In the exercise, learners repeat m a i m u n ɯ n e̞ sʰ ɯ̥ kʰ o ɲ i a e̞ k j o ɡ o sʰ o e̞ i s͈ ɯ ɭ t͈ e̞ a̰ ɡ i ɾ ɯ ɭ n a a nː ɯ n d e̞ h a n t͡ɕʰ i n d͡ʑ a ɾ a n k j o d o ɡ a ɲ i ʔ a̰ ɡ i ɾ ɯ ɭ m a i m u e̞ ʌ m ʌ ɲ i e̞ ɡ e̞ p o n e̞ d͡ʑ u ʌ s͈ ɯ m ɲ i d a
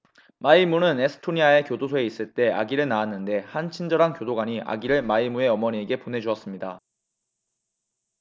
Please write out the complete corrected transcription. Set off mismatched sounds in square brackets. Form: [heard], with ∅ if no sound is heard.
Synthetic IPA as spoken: m a i m u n ɯ n e̞ sʰ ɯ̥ [tʰ] o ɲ i a e̞ k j o [d] o sʰ o e̞ i s͈ ɯ ɭ t͈ e̞ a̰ ɡ i ɾ ɯ ɭ n a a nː ɯ n d e̞ h a n t͡ɕʰ i n d͡ʑ [ʌ] ɾ a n k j o d o ɡ a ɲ i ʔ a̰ ɡ i ɾ ɯ ɭ m a i m u e̞ ʌ m ʌ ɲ i e̞ ɡ e̞ p o n e̞ d͡ʑ u ʌ s͈ ɯ m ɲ i d a